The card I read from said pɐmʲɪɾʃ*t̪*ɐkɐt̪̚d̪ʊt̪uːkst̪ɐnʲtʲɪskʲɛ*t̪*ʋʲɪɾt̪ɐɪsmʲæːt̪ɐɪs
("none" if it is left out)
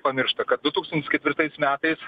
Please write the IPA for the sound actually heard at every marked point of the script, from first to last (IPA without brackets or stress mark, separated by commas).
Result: t̪, t̪